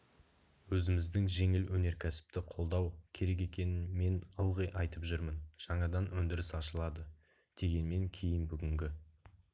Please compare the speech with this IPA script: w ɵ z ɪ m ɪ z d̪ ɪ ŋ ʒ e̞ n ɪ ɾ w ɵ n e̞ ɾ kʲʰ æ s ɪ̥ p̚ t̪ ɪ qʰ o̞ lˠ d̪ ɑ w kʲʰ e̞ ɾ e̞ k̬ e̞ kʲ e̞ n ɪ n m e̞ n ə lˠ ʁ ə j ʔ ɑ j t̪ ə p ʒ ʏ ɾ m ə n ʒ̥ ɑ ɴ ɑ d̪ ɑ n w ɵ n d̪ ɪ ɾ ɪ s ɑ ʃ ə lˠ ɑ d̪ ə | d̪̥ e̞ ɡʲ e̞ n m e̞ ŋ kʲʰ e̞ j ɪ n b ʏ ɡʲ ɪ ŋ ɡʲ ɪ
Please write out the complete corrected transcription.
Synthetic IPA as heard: w ɵ z ɪ m ɪ z d̪ ɪ ŋ ʒ e̞ ŋ ɪ l w ɵ n e̞ ɾ kʲʰ æ s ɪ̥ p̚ t̪ ɪ qʰ o̞ lˠ d̪ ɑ w kʲʰ e̞ ɾ e̞ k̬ e̞ kʲ e̞ n ɪ n m e̞ n ə lˠ ʁ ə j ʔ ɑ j t̪ ə p ʒ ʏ ɾ m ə n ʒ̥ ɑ ɴ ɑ d̪ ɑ n w ɵ n d̪ ɪ ɾ ɪ s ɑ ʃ ə lˠ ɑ d̪ ə | d̪̥ e̞ ɡʲ e̞ n m e̞ ŋ kʲʰ e̞ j ɪ n b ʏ ɡʲ ɪ ŋ ɡʲ ɪ